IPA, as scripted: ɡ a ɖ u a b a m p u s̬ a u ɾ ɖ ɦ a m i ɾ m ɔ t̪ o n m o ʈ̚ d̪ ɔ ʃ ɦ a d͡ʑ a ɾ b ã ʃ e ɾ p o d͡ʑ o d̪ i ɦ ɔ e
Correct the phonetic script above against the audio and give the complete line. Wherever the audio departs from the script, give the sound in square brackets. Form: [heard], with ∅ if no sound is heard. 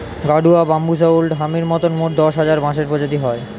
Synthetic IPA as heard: ɡ a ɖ u a b a m [b] u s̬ a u [l] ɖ ɦ a m i ɾ m ɔ t̪ o n m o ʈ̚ d̪ ɔ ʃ ɦ a d͡ʑ a ɾ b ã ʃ e ɾ p o d͡ʑ o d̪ i ɦ ɔ e

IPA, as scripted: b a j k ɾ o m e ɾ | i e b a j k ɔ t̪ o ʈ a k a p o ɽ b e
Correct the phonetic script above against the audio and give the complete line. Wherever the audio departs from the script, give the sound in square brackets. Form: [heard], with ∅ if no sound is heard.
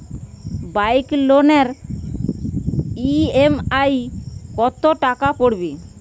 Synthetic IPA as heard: b a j k [l] o [n] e ɾ | i e [m] a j k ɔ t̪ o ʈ a k a p o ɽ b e

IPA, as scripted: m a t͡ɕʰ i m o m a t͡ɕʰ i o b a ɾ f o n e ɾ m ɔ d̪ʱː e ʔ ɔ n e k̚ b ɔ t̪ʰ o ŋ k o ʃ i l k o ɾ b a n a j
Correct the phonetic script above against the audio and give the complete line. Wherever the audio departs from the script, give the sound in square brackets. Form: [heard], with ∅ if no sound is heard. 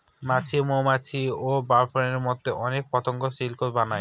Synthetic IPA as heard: m a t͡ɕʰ i m o m a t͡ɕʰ i o b a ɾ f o n e ɾ m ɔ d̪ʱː e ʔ ɔ n e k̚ [p] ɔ [t̪] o ŋ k o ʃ i l k o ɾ b a n a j

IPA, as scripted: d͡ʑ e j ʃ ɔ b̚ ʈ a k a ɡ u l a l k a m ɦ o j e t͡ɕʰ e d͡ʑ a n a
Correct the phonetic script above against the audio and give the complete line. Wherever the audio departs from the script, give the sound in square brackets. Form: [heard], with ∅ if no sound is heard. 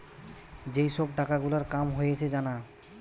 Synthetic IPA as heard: d͡ʑ e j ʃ ɔ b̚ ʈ a k a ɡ u l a [ɾ] k a m ɦ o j e t͡ɕʰ e d͡ʑ a n a

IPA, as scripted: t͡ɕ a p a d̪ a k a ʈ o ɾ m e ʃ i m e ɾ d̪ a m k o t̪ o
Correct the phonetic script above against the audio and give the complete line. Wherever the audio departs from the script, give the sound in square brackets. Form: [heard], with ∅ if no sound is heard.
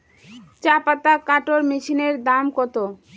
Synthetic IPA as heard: t͡ɕ a p a [t̪] a k a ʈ o ɾ m [i] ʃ i [n] e ɾ d̪ a m k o t̪ o

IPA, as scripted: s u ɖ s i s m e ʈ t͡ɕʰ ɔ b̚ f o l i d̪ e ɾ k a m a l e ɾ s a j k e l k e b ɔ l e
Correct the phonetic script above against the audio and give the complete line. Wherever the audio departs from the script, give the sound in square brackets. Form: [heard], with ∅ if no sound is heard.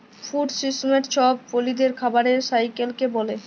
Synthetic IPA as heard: [f] u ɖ s i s m e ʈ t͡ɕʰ ɔ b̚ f o l i d̪ e ɾ [kʰ] a [b] a [ɾ] e ɾ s a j k e l k e b ɔ l e

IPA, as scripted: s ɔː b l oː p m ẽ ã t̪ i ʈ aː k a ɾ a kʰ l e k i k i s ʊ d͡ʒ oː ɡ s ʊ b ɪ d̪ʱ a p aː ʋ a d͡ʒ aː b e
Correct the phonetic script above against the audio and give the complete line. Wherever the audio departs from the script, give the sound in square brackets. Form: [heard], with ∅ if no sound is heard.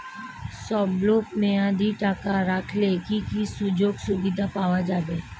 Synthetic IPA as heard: s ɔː b l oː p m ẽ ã [d̪] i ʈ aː k a ɾ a kʰ l e k i k i s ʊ d͡ʒ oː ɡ s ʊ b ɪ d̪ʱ a p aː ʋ a d͡ʒ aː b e

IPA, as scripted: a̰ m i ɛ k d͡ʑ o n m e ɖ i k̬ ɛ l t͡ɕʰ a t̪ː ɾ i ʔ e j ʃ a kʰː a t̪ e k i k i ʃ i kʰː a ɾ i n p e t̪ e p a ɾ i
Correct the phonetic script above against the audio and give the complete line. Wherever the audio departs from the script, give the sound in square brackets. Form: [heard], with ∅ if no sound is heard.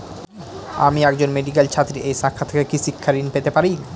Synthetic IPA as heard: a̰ m i ɛ k d͡ʑ o n m e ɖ i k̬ [e] l t͡ɕʰ a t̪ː ɾ i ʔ e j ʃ a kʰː a [t̪ʰ] e k [e] k i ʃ i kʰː a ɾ i n p e t̪ e p a ɾ i

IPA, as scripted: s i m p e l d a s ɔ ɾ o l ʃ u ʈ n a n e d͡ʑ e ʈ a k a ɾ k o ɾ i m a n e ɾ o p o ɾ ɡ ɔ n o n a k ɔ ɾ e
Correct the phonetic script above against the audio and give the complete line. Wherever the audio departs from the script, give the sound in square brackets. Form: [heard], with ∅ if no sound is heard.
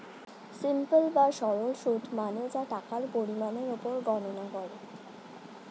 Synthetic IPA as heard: s i m p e l [b] a [ʃ] ɔ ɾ o l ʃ u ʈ [m] a n e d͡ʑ [a] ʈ a k a ɾ [p] o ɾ i m a n e ɾ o p o ɾ ɡ ɔ n o n a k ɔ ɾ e

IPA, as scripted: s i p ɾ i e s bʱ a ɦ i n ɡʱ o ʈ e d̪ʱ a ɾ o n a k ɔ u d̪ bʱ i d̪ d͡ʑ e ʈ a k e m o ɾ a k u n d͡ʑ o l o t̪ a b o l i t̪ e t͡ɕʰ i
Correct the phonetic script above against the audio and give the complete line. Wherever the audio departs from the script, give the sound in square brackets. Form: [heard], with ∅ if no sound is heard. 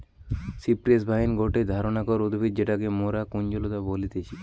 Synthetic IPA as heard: s i p ɾ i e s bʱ a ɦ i n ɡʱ o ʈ e d̪ʱ a ɾ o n a k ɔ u d̪ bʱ i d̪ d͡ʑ e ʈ a k e m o ɾ a k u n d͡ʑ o l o t̪ a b o l i t̪ e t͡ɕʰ i

